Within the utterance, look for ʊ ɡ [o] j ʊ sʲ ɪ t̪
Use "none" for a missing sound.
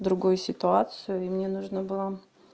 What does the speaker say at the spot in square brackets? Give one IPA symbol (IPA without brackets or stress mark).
o